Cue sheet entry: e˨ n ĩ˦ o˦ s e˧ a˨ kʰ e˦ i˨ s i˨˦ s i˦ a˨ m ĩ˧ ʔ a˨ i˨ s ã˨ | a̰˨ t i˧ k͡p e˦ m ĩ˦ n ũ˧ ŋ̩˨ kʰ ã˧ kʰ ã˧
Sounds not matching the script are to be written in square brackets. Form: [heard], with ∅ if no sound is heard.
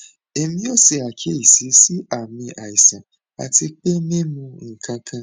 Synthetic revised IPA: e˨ [m] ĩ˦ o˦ s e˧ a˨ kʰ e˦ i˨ s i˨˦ s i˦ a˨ m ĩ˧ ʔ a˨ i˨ s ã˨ | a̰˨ t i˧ k͡p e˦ m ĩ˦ [m] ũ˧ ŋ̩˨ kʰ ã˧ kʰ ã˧